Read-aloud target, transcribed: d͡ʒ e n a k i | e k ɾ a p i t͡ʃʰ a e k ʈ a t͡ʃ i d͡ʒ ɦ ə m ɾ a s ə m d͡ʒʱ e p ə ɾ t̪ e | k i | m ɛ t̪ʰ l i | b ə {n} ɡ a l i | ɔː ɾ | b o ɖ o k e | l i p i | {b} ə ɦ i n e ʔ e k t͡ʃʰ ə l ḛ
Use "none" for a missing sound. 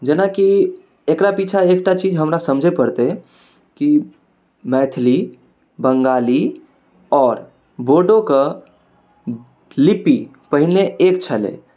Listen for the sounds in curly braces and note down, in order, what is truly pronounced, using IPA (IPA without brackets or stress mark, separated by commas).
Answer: ŋ, p